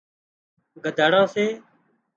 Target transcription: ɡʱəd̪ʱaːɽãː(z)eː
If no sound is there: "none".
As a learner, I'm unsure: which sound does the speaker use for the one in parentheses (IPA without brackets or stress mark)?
s